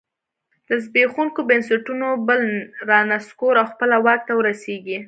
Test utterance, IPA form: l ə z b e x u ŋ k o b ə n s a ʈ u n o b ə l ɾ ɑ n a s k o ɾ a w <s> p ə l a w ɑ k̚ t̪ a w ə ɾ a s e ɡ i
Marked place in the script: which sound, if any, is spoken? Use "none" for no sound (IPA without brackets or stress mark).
x